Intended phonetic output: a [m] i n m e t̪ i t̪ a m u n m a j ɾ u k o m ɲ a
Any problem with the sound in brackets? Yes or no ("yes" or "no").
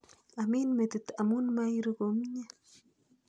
no